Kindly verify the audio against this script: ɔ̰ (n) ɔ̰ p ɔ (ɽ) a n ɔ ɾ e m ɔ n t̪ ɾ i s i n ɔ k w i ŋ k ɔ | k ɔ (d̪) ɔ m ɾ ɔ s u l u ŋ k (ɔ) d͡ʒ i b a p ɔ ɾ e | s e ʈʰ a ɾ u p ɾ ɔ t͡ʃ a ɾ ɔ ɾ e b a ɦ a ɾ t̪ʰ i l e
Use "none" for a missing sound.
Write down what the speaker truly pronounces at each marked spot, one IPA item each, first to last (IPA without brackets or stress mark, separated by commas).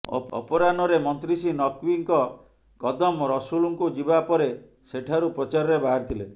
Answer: none, ɾ, d̪, u